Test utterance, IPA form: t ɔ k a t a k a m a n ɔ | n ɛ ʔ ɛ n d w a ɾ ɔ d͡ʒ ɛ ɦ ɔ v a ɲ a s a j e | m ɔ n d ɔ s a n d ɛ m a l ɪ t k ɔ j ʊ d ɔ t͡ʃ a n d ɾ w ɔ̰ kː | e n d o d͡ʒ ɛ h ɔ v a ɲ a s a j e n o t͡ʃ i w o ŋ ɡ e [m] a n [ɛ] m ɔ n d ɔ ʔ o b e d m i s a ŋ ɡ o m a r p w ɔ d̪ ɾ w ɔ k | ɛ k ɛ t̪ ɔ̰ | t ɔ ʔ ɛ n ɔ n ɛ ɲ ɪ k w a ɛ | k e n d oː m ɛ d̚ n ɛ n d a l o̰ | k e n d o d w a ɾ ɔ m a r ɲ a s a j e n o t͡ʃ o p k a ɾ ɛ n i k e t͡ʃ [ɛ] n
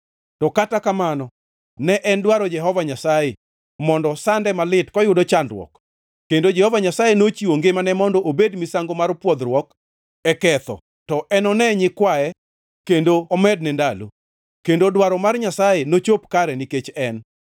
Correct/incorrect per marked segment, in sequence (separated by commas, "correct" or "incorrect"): correct, correct, correct